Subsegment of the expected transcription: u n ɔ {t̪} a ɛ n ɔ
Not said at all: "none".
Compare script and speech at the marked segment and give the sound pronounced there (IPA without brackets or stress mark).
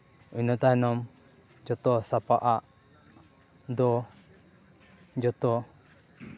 t̪